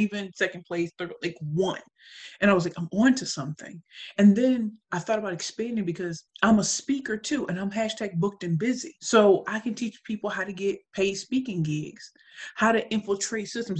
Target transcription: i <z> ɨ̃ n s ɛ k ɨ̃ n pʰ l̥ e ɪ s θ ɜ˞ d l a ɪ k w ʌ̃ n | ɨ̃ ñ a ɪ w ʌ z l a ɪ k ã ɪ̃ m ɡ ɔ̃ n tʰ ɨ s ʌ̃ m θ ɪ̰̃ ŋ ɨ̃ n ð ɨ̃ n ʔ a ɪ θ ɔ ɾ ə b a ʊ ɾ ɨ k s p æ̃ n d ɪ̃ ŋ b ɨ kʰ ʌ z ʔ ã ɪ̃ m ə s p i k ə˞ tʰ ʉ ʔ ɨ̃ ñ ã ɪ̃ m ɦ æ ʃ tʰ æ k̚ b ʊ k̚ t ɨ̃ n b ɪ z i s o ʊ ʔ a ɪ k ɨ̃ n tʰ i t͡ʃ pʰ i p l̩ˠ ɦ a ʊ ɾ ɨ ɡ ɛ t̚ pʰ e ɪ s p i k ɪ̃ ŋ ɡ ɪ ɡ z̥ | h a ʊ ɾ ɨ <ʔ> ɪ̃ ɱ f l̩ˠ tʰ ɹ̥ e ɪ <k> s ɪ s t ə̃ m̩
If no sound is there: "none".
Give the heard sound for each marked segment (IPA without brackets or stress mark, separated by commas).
v, ʔ, t